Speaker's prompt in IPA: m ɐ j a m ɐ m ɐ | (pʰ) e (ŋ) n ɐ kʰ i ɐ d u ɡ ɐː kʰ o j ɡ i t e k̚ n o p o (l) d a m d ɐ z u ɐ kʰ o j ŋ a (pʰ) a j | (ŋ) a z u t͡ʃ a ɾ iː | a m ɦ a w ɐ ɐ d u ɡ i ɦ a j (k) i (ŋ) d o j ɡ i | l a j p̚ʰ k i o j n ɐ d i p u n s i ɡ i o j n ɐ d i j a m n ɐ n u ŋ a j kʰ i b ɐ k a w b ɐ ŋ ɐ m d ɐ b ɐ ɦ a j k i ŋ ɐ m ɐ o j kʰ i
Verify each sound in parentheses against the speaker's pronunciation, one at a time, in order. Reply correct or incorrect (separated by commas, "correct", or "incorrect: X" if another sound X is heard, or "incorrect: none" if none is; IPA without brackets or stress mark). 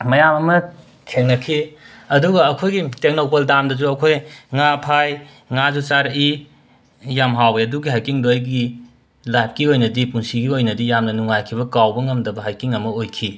incorrect: kʰ, correct, correct, correct, correct, correct, correct